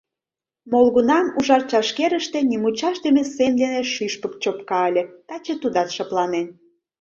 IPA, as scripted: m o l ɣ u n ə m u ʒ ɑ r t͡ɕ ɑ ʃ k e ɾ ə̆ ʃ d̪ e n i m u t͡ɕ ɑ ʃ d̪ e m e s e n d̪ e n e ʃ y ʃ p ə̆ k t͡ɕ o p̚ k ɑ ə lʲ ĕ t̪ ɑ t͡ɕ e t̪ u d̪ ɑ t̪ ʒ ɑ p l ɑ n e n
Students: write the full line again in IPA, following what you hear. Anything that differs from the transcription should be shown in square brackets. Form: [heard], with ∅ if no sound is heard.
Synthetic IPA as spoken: m o l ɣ u n [ɑ] m u ʒ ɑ r t͡ɕ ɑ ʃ k e ɾ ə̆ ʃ [t̪] e n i m u t͡ɕ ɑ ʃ d̪ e m e s e n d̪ e n e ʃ y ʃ p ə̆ k t͡ɕ o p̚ k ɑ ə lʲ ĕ t̪ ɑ t͡ɕ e t̪ u d̪ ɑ t̪ [ʃ] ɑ p l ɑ n e n